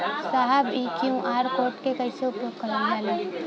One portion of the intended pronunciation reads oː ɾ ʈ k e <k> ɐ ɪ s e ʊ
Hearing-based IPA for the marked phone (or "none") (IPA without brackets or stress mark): k